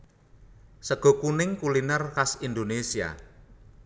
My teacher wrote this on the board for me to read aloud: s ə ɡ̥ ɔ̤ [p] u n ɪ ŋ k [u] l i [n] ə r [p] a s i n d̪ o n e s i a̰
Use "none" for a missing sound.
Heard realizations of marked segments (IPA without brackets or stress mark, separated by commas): k, u, n, k